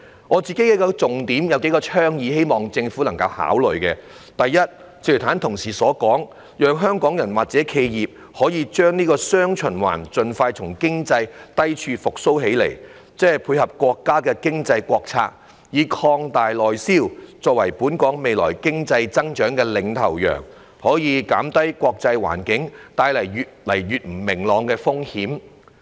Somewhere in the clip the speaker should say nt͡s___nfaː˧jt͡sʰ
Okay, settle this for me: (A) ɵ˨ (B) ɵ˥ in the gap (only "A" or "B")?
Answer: A